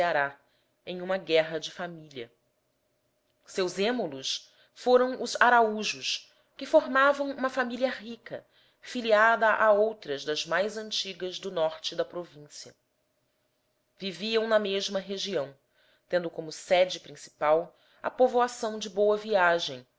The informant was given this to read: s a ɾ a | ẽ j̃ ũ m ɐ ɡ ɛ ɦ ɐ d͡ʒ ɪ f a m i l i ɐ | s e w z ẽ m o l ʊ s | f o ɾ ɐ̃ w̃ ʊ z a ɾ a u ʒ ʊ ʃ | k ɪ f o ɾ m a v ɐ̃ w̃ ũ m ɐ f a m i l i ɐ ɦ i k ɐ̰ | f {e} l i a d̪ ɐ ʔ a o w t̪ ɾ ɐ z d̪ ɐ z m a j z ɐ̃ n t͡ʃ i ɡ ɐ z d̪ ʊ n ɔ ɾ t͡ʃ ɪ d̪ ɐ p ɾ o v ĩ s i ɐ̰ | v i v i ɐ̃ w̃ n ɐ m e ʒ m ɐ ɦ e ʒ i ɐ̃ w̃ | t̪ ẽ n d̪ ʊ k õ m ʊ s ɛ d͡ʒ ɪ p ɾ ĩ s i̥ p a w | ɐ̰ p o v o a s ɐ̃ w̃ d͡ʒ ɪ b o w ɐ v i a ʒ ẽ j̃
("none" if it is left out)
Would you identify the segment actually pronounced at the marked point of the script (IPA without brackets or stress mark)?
i